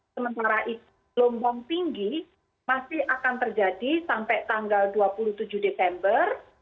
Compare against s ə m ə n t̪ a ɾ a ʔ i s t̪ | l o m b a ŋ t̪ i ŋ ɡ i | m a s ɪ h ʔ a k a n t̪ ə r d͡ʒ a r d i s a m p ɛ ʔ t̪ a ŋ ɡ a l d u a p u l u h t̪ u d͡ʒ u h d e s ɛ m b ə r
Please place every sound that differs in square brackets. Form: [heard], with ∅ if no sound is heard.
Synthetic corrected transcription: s ə m ə n t̪ a ɾ a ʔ i [∅] t̪ | l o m b a ŋ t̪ i ŋ ɡ i | m a s ɪ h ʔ a k a n t̪ ə r d͡ʒ a [∅] d i s a m p ɛ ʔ t̪ a ŋ ɡ a l d u a p u l u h t̪ u d͡ʒ u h d e s ɛ m b ə r